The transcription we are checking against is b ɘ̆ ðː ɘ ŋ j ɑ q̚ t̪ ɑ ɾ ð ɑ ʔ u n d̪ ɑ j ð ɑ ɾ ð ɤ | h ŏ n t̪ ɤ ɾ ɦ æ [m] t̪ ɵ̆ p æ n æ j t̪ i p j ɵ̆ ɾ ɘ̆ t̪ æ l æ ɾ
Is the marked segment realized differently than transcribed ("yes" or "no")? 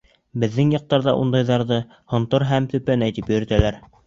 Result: no